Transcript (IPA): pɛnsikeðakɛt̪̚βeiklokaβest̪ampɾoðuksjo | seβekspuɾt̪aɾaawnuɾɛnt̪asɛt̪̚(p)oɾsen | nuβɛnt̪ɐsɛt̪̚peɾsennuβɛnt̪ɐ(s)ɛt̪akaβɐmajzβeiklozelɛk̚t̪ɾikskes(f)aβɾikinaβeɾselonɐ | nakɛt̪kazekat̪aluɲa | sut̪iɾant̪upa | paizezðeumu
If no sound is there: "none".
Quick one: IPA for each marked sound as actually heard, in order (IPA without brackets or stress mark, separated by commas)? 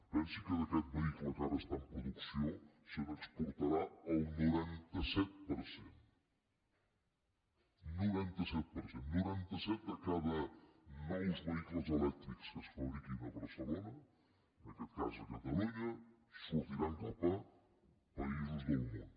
p, s, f